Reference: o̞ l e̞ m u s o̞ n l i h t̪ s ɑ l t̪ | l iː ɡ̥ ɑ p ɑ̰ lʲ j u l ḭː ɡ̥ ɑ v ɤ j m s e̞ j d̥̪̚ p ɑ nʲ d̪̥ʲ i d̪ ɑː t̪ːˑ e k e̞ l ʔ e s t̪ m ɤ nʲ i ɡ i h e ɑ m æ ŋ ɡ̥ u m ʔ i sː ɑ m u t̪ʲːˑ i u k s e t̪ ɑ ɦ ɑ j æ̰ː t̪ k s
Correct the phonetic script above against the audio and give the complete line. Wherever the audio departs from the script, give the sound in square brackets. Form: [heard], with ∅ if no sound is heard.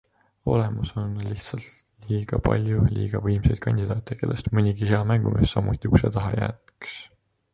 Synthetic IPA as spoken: o̞ l e̞ m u s o̞ n l i h t̪ s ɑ l t̪ | l iː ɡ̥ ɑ p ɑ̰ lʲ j u l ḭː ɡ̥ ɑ v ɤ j m s e̞ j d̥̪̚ [k] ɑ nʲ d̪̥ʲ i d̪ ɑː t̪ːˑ e k e̞ l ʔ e s t̪ m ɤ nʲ i ɡ i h e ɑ m æ ŋ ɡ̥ u m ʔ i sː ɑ m u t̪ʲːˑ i u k s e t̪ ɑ ɦ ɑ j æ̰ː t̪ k s